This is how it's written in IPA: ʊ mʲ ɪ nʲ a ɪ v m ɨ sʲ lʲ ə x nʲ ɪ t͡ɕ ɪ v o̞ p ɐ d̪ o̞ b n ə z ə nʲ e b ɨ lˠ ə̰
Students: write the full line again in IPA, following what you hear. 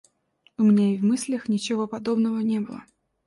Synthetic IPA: ʊ mʲ ɪ nʲ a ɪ v m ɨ sʲ lʲ ə x nʲ ɪ t͡ɕ ɪ v o̞ p ɐ d̪ o̞ b n ə v ə nʲ e b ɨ lˠ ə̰

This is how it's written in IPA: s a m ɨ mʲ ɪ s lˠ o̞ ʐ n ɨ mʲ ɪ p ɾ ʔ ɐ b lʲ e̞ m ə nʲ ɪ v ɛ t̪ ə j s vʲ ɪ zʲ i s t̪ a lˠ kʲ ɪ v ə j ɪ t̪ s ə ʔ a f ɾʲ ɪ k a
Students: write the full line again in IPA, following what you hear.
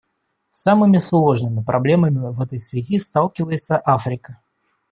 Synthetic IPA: s a m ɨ mʲ ɪ s lˠ o̞ ʐ n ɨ mʲ ɪ p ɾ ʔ ɐ b lʲ e̞ m ə mʲ ɪ v ɛ t̪ ə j s vʲ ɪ zʲ i s t̪ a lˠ kʲ ɪ v ə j ɪ t̪ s ə ʔ a f ɾʲ ɪ k ə

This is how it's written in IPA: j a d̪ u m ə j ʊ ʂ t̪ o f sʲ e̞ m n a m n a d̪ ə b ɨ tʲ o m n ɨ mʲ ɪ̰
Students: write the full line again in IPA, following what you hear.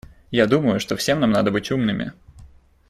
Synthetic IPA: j a d̪ u m ə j ʊ ʂ t̪ o f sʲ e̞ m n a m n a d̪ ə b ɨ tʲ u m n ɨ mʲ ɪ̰

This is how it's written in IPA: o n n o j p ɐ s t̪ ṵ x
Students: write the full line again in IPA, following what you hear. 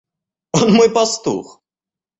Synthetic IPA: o n m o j p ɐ s t̪ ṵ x

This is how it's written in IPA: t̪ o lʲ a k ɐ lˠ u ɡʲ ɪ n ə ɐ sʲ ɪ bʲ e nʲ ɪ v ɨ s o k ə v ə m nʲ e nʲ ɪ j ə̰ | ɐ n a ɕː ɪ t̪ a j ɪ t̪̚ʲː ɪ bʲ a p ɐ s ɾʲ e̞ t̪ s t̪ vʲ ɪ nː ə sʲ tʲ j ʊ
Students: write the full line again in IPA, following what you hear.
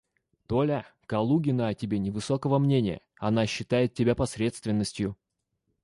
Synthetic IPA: t̪ o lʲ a k ɐ lˠ u ɡʲ ɪ n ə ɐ tʲ ɪ bʲ e nʲ ɪ v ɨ s o k ə v ə m nʲ e nʲ ɪ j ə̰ | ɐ n a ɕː ɪ t̪ a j ɪ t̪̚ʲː ɪ bʲ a p ɐ s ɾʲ e̞ t̪ s t̪ vʲ ɪ nː ə sʲ tʲ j ʊ

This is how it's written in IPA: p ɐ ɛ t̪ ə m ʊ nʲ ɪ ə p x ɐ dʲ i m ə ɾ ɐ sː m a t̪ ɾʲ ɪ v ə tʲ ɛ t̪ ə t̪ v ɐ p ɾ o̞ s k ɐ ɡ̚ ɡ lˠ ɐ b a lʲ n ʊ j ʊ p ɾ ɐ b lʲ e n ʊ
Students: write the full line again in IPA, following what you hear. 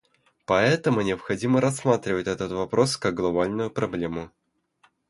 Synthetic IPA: p ɐ ɛ t̪ ə m ʊ nʲ ɪ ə p x ɐ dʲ i m ə ɾ ɐ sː m a t̪ ɾʲ ɪ v ə tʲ ɛ t̪ ə t̪ v ɐ p ɾ o̞ s k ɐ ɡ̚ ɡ lˠ ɐ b a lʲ n ʊ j ʊ p ɾ ɐ b lʲ e m ʊ

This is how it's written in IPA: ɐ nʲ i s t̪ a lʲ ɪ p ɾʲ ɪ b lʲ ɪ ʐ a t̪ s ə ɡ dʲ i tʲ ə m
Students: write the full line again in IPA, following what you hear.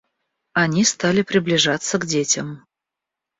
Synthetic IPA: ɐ nʲ i s t̪ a lʲ ɪ p ɾʲ ɪ b lʲ ɪ ʐ a t̪ s ə ɡ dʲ e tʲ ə m

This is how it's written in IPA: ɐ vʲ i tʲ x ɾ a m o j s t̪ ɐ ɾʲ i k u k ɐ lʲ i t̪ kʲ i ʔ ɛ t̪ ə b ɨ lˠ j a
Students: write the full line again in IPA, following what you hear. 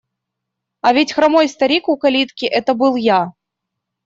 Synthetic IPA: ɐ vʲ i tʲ x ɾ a m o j s t̪ ɐ ɾʲ i k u k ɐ lʲ i t̪ kʲ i ʔ ɛ t̪ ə b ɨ lˠ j a

